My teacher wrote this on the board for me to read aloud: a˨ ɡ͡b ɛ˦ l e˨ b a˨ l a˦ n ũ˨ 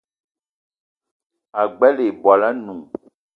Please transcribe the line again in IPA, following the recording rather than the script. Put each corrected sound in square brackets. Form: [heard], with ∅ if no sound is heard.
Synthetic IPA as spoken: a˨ ɡ͡b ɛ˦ l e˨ b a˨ l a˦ n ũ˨